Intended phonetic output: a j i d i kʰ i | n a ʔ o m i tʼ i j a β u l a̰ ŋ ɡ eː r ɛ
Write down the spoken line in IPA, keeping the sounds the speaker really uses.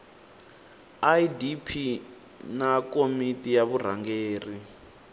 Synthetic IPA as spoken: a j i d i pʰ i | n a k o m i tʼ i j a β u r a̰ ŋ ɡ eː r i

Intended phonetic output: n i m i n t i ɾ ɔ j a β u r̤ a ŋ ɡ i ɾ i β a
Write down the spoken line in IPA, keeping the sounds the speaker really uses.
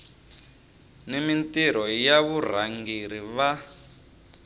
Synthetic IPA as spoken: n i m i n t i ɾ ɔ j a β u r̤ a ŋ ɡ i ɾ i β a

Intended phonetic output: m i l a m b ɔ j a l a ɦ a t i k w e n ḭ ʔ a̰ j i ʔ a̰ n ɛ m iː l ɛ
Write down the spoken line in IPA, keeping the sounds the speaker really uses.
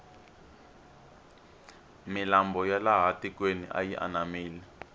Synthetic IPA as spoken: m i l a m b ɔ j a l a ɦ a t i k w e n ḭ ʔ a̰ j i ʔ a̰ n a m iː l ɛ

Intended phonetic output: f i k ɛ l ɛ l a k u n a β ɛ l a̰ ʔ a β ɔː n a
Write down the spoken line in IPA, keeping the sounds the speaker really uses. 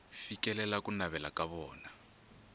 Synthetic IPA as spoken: f i k ɛ l ɛ l a k u n a β ɛ l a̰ k a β ɔː n a

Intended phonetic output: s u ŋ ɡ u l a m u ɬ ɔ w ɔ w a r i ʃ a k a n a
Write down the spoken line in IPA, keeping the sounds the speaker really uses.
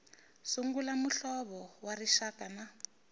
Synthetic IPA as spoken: s u ŋ ɡ u l a m u ɬ ɔ β ɔ w a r i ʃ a k a n a

